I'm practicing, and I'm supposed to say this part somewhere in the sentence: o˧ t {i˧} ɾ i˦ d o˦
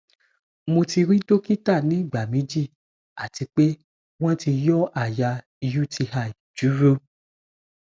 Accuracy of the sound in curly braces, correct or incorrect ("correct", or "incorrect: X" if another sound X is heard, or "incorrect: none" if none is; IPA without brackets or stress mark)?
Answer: correct